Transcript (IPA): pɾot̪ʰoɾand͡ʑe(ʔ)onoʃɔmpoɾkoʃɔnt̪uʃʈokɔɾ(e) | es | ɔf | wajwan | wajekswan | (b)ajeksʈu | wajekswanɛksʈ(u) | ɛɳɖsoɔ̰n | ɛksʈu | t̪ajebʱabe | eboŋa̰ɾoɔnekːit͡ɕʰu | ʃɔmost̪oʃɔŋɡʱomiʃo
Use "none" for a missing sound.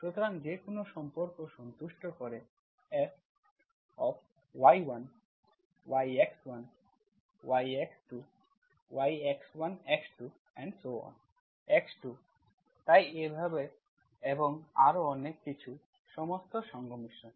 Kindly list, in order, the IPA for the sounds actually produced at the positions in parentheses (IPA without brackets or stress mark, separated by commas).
k, e, w, u